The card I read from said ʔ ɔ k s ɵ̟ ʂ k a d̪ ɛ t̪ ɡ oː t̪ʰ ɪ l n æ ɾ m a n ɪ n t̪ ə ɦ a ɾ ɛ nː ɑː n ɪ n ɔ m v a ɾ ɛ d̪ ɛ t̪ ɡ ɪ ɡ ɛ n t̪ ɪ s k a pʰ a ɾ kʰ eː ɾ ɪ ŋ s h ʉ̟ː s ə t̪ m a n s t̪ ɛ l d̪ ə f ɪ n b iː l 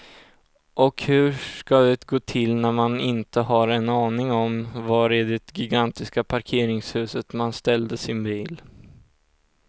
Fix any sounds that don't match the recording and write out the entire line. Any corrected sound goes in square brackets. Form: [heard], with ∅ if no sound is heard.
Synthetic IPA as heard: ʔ ɔ k [h] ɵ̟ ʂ k a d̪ ɛ t̪ ɡ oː t̪ʰ ɪ l n æ ɾ m a n ɪ n t̪ ə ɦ a ɾ ɛ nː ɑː n ɪ [ŋ] ɔ m v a ɾ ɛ d̪ ɛ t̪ ɡ ɪ ɡ [a] n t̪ ɪ s k a pʰ a ɾ kʰ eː ɾ ɪ ŋ s h ʉ̟ː s ə t̪ m a n s t̪ ɛ l d̪ ə [s] ɪ n b iː l